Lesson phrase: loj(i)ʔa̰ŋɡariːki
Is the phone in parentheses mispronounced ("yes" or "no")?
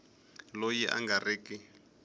no